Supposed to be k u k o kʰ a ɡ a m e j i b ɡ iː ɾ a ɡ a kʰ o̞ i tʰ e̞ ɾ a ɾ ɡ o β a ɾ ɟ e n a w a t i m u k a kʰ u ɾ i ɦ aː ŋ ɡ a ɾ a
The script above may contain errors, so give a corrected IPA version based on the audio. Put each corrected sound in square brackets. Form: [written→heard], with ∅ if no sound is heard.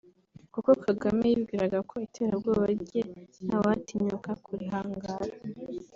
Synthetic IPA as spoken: k u k o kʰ a ɡ a m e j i b ɡ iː ɾ a ɡ a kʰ o̞ i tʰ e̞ ɾ a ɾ ɡ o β a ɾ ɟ e n a w a t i [m→ɲ] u k a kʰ u ɾ i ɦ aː ŋ ɡ a ɾ a